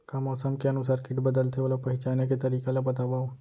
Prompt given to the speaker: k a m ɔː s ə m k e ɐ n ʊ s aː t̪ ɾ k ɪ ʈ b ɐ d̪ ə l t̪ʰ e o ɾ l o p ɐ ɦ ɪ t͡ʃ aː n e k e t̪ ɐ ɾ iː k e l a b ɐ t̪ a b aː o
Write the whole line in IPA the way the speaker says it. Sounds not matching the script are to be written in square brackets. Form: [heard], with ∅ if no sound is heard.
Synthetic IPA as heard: k a m ɔː s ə m k e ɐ n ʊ s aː [∅] ɾ k ɪ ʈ b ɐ d̪ ə l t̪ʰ e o [∅] l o p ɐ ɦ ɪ t͡ʃ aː n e k e t̪ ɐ ɾ iː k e l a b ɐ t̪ a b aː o